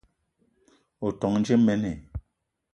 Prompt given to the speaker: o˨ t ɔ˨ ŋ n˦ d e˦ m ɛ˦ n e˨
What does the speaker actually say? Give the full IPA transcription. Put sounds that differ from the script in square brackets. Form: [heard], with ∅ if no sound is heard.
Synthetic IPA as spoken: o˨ t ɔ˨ ŋ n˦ [d͡ʒ] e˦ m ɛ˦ n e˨